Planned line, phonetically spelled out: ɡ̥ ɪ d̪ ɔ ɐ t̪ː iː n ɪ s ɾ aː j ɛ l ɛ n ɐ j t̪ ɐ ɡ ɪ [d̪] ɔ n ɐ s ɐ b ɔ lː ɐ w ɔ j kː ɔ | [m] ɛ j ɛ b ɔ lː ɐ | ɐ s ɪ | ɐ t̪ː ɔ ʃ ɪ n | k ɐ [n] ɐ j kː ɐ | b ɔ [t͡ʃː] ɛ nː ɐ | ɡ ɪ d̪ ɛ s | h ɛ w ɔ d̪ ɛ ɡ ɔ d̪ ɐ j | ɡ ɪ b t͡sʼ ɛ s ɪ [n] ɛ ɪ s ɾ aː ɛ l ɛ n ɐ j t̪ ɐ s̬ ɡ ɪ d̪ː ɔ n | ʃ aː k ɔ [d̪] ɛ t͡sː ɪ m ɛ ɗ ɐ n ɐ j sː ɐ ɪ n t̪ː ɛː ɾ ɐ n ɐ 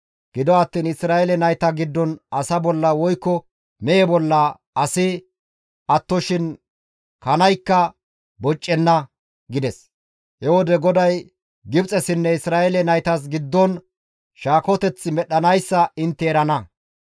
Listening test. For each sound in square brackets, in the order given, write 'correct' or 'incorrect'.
incorrect, correct, correct, incorrect, incorrect, incorrect

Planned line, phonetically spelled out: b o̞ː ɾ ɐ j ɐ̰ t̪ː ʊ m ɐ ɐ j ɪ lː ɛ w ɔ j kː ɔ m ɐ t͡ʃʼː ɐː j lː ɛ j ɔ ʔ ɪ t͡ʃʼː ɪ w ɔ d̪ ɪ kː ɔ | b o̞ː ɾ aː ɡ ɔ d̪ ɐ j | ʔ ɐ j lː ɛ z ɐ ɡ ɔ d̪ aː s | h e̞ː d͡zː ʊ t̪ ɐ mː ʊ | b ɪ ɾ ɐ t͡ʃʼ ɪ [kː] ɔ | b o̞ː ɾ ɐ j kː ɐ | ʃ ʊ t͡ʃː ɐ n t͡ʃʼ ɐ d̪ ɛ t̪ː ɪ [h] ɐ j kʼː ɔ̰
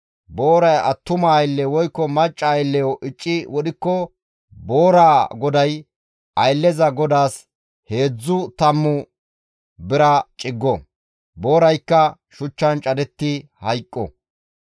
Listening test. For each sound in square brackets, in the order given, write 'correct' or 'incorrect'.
incorrect, correct

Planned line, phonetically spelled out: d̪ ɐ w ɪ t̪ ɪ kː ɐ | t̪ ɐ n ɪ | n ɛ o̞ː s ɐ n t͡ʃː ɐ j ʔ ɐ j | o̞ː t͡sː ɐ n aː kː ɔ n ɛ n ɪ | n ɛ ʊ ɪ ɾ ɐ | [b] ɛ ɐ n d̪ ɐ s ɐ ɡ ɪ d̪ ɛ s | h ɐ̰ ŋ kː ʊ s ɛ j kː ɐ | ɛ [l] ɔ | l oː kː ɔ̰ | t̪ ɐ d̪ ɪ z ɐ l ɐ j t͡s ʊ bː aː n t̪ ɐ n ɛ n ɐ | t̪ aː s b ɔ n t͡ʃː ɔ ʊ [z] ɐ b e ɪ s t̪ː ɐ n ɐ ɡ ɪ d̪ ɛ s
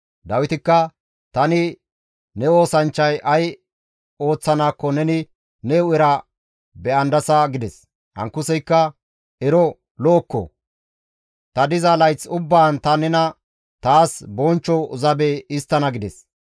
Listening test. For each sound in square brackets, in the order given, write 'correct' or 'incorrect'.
correct, incorrect, correct

